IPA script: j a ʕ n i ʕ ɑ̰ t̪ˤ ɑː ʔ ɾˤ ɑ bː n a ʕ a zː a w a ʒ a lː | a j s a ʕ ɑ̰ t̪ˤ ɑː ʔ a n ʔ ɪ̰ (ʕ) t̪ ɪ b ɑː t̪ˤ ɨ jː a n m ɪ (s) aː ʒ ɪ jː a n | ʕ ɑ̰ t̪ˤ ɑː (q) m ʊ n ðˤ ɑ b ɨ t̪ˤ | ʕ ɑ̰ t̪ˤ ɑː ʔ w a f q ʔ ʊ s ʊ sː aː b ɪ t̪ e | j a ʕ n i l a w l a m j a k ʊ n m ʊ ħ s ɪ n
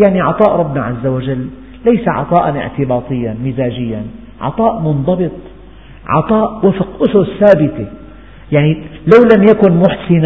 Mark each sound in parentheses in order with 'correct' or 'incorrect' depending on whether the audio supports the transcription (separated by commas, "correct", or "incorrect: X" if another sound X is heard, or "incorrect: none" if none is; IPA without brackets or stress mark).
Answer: correct, incorrect: z, incorrect: ʔ